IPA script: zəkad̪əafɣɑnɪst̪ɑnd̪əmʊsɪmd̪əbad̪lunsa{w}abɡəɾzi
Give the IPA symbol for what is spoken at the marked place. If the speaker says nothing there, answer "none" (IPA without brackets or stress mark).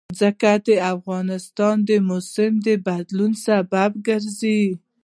b